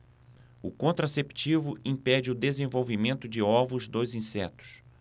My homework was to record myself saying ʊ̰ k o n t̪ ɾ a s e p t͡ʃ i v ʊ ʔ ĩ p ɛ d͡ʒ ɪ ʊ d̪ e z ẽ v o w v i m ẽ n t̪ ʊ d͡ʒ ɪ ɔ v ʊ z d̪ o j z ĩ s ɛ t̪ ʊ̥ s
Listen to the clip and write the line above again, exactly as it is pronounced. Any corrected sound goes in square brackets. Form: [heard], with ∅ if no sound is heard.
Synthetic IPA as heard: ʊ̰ k [õ] n t̪ ɾ a s e p t͡ʃ i v ʊ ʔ ĩ p ɛ d͡ʒ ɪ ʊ d̪ e z ẽ v o w v i m ẽ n t̪ ʊ d͡ʒ ɪ ɔ v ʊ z d̪ o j z ĩ s ɛ t̪ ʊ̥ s